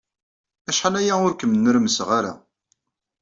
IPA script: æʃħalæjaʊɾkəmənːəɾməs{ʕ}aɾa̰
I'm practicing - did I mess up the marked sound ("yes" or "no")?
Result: yes